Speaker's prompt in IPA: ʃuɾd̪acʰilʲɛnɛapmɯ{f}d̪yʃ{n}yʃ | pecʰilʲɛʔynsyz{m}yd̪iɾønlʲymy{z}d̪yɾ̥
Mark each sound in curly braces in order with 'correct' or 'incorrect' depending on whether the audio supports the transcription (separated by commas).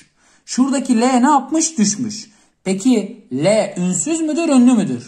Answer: incorrect, incorrect, correct, incorrect